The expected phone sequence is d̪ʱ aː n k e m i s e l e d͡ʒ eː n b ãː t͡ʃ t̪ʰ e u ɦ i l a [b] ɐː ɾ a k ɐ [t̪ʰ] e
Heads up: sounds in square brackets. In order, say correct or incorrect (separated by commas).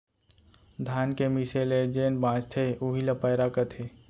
incorrect, correct